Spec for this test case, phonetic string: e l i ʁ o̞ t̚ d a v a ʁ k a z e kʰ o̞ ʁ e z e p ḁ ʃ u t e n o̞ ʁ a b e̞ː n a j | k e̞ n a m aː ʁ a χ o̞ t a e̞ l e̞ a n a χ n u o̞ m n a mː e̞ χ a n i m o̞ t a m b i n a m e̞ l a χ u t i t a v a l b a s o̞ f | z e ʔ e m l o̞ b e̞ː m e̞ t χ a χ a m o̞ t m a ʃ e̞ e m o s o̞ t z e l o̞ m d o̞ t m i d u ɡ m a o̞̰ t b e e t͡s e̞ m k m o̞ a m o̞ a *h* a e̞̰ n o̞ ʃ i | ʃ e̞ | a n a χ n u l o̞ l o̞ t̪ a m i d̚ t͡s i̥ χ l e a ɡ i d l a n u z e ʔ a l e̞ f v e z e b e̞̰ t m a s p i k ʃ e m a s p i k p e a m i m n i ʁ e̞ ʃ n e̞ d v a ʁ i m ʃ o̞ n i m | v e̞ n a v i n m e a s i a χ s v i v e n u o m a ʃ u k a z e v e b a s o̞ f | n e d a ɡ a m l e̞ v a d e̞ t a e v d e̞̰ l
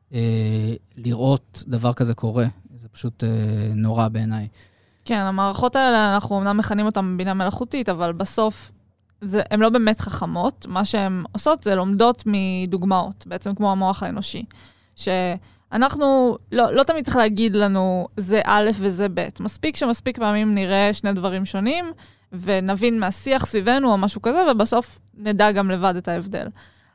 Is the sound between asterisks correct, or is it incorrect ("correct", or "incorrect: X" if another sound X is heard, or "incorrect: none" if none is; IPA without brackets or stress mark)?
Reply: incorrect: χ